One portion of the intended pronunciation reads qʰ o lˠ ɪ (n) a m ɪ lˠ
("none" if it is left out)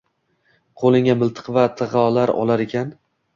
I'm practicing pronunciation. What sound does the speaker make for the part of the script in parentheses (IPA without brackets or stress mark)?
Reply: ŋ